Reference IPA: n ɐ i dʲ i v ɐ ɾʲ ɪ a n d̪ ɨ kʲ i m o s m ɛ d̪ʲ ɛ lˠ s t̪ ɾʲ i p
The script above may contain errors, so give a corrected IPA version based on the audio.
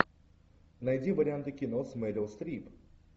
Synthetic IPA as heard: n ɐ j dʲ i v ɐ ɾʲ ɪ a n t̪ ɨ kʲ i n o s m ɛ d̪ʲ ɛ lˠ s t̪ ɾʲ i p